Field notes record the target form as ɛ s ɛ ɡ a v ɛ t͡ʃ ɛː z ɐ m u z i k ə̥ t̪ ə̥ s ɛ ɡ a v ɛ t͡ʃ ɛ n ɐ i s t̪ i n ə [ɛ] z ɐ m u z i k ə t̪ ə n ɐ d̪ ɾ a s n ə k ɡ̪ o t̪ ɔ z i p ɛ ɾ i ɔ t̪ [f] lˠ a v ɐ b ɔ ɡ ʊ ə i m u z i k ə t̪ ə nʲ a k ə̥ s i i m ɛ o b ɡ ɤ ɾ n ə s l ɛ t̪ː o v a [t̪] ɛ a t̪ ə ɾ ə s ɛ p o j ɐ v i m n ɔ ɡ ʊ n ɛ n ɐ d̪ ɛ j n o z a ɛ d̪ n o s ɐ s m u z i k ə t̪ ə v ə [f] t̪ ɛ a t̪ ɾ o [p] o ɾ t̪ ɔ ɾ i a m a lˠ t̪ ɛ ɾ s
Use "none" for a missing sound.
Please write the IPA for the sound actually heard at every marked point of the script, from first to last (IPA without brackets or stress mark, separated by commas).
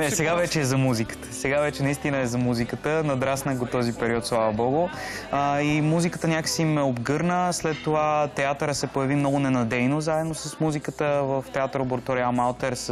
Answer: ɛ, s, t̪, f, b